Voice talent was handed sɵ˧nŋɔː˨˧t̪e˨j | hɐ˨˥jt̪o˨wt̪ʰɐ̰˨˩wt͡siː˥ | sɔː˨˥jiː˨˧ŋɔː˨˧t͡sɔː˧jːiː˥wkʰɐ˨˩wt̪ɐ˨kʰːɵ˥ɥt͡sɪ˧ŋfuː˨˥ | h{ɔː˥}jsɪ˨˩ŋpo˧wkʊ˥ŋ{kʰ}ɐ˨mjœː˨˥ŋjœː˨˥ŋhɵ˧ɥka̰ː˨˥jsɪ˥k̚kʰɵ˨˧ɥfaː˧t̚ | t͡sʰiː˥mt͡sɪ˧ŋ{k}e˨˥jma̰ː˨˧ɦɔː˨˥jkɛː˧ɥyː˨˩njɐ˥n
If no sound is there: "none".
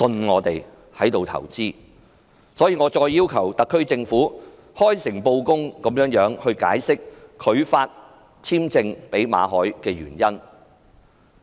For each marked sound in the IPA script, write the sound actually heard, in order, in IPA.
ɔː˥, k, p

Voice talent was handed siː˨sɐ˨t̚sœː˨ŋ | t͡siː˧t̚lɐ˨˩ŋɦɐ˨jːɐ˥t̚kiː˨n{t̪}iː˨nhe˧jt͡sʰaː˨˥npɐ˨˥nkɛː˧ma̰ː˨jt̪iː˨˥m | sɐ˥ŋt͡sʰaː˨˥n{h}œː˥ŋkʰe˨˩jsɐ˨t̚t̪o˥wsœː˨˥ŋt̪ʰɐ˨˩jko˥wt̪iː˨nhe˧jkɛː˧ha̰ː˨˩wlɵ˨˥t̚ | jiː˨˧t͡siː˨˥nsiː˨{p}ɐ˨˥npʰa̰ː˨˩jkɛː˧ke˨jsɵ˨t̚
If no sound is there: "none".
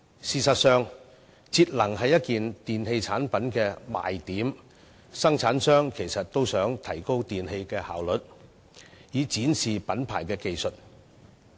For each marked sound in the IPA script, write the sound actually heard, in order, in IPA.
t̪, s, p

